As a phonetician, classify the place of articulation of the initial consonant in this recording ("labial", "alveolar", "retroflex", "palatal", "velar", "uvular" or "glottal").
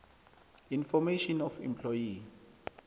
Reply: alveolar